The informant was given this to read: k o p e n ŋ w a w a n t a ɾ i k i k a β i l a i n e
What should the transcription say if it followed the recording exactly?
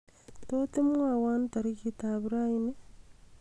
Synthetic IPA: t o t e m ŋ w a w a n t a ɾ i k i t a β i ɾ a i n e